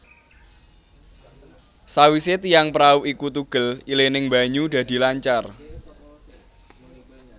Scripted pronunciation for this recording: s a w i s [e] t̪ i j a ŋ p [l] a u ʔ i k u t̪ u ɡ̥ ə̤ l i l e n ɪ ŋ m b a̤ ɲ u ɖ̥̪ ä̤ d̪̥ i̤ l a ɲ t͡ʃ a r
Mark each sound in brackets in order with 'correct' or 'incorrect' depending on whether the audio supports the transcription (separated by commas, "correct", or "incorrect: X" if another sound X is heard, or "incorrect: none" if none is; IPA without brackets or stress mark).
correct, incorrect: ɾ